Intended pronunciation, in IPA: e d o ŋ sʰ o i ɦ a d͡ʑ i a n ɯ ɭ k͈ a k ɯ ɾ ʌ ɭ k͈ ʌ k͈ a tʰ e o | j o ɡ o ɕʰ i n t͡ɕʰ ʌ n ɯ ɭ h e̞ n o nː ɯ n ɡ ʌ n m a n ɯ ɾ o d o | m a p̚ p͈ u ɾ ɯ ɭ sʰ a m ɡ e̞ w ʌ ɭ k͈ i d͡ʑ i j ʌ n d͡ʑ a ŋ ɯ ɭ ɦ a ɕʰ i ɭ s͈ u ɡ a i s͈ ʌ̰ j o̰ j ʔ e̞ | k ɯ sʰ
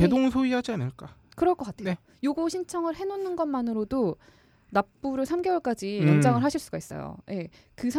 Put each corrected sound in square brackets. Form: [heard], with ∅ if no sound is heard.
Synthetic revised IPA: e d o ŋ sʰ o i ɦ a d͡ʑ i a n ɯ ɭ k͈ a k ɯ ɾ ʌ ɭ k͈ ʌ k͈ a tʰ e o | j o ɡ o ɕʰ i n t͡ɕʰ ʌ [ŋ] ɯ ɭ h e̞ n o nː ɯ n ɡ ʌ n m a n ɯ ɾ o d o | [n] a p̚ p͈ u ɾ ɯ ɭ sʰ a m ɡ e̞ w ʌ ɭ k͈ [a] d͡ʑ i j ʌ n d͡ʑ a ŋ ɯ ɭ ɦ a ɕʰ i ɭ s͈ u ɡ a i s͈ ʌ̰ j o̰ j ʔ e̞ | k ɯ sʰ